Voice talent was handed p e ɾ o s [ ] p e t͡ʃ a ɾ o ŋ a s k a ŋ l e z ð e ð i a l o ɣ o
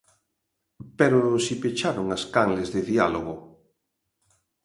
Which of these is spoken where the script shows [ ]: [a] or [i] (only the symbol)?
i